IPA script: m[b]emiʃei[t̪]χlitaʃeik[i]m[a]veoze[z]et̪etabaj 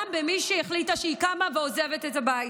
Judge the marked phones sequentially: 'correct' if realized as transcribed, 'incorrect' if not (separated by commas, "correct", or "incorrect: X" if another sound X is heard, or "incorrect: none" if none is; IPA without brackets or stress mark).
correct, incorrect: none, incorrect: a, correct, incorrect: v